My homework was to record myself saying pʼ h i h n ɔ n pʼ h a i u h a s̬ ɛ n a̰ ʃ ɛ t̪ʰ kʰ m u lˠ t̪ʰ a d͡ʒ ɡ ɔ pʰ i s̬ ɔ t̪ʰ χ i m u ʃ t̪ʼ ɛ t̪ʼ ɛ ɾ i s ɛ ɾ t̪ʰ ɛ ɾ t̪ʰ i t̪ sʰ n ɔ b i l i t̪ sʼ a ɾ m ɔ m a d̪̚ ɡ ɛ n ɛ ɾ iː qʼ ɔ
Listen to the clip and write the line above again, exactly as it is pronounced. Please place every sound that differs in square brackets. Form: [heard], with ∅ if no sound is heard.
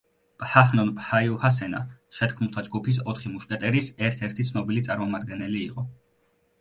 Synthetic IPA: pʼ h [a] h n ɔ n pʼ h a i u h a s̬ ɛ n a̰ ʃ ɛ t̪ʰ kʰ m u lˠ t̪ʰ a d͡ʒ ɡ [u] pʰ i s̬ ɔ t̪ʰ χ i m u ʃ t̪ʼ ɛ t̪ʼ ɛ ɾ i s ɛ ɾ t̪ʰ ɛ ɾ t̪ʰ i t̪ sʰ n ɔ b i l i t̪ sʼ a ɾ m ɔ m a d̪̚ ɡ ɛ n ɛ [l] iː qʼ ɔ